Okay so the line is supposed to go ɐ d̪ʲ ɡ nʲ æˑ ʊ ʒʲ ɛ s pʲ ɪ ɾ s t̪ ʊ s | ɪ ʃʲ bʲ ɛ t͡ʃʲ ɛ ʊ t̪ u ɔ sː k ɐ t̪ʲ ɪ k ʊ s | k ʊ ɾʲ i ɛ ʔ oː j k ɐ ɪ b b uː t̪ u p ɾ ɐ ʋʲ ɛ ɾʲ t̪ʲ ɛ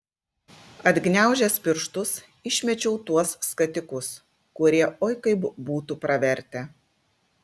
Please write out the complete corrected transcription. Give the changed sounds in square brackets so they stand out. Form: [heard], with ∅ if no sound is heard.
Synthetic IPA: ɐ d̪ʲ ɡ nʲ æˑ ʊ ʒʲ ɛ s pʲ ɪ ɾ [ʃ] t̪ ʊ s | ɪ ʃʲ [mʲ] ɛ t͡ʃʲ ɛ ʊ t̪ u ɔ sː k ɐ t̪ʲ ɪ k ʊ s | k ʊ ɾʲ i ɛ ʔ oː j k ɐ ɪ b b uː t̪ u p ɾ ɐ ʋʲ ɛ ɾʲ t̪ʲ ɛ